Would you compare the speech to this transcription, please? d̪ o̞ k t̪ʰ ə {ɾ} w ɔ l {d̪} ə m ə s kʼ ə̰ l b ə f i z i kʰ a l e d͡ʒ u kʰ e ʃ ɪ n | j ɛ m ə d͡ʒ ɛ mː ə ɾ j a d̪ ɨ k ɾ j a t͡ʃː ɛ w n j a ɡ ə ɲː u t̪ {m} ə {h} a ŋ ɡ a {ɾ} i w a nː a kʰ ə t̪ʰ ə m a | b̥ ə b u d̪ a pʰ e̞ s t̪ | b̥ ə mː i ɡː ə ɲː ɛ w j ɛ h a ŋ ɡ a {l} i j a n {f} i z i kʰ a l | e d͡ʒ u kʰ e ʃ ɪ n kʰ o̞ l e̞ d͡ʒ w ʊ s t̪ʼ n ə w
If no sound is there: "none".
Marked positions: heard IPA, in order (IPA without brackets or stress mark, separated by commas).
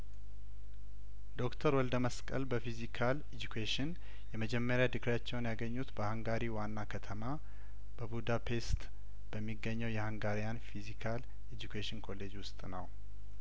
ɾ, d̪, b, h, ɾ, ɾ, f